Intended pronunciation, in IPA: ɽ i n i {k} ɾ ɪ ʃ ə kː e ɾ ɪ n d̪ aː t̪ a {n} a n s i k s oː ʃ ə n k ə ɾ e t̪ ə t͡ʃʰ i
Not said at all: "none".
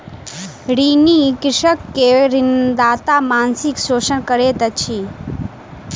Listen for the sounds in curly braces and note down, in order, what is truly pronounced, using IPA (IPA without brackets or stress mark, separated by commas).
k, m